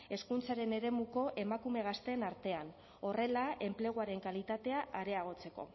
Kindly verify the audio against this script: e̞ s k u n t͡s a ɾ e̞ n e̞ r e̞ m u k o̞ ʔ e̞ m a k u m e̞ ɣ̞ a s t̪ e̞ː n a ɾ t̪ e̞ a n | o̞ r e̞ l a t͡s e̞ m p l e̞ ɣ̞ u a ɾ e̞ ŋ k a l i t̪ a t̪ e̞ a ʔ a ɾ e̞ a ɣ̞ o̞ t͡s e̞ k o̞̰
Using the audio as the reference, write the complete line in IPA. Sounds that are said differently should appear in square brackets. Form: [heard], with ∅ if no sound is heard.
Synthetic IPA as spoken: e̞ s k u n t͡s a ɾ e̞ n e̞ [ɾ] e̞ m u k o̞ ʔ e̞ m a k u m e̞ ɣ̞ a s t̪ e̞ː n a ɾ t̪ e̞ a n | o̞ r e̞ l a [∅] e̞ m p l e̞ ɣ̞ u a ɾ e̞ ŋ k a l i t̪ a t̪ e̞ a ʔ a ɾ e̞ a ɣ̞ o̞ t͡s e̞ k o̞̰